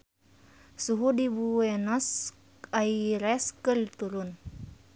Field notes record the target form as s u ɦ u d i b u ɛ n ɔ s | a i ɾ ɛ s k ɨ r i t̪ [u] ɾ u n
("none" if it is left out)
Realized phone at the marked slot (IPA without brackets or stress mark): u